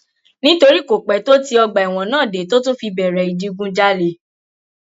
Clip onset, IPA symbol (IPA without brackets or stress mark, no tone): n